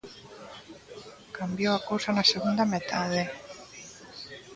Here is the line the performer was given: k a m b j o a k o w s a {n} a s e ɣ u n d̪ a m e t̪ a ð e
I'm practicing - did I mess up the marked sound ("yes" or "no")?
no